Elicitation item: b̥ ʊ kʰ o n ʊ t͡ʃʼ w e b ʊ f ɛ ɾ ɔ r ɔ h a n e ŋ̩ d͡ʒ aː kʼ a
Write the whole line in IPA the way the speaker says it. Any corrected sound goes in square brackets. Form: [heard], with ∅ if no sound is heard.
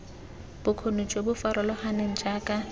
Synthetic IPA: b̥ ʊ kʰ o n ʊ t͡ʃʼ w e b ʊ f [a] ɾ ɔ [l] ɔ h a n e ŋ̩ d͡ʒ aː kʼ a